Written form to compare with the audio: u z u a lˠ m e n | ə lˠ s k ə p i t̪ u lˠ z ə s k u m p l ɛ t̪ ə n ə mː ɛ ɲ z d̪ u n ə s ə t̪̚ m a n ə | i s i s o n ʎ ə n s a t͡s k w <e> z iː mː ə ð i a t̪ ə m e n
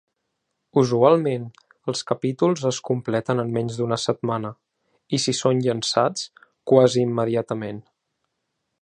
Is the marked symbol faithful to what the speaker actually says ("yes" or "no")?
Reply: no